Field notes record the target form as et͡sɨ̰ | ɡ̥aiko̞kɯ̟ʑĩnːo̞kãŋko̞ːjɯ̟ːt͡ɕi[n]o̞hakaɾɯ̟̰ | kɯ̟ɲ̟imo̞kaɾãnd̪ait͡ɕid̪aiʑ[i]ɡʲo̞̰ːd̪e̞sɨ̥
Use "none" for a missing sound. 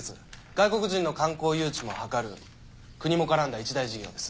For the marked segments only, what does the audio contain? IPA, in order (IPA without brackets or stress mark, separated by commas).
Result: m, i